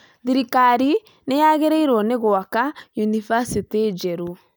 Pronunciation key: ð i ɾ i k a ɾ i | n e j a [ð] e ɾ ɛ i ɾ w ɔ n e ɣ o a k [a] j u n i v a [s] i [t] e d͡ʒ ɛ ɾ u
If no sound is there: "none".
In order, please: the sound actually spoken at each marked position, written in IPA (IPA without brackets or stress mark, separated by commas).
ɣ, a, s, t